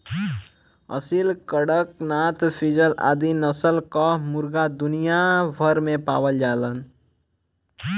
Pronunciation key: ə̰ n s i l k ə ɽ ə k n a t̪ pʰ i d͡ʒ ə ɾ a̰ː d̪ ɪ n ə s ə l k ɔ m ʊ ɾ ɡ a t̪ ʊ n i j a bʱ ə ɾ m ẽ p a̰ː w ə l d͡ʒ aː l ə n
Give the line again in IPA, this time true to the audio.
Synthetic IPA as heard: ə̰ s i l k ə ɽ ə k n a t̪ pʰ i d͡ʒ ə l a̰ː d̪ i n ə s ə l k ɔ m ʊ ɾ ɡ a d̪ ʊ n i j a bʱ ə ɾ m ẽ p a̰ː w ə l d͡ʒ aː l ə n